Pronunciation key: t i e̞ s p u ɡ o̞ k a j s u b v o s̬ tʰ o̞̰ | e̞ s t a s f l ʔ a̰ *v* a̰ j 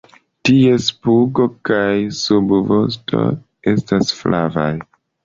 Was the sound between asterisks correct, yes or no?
yes